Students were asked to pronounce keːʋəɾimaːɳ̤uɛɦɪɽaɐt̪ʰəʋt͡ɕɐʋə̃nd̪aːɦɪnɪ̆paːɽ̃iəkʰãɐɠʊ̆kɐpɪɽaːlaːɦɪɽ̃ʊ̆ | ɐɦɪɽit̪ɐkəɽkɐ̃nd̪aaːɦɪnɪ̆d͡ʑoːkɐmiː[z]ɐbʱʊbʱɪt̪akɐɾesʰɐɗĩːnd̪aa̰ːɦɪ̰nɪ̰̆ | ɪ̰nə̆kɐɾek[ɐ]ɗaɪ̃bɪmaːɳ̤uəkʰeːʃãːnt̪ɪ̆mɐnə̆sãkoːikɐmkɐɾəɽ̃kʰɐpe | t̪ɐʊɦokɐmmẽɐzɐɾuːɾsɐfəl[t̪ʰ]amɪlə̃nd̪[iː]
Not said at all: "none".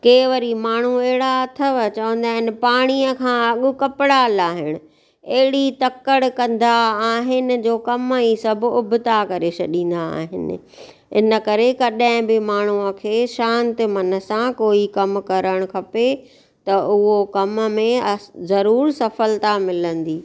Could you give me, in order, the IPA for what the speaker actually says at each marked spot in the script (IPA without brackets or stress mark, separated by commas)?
s, ɐ, t̪, iː